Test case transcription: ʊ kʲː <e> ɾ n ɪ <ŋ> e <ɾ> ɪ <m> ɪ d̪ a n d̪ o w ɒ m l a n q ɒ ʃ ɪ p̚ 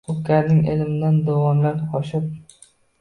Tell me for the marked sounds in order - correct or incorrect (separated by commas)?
incorrect, correct, incorrect, correct